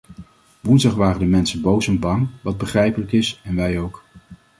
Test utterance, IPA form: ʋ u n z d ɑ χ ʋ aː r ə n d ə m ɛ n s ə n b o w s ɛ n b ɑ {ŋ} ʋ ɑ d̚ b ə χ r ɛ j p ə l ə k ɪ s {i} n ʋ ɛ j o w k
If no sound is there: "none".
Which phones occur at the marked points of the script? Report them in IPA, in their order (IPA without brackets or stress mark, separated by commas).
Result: ŋ, ɛ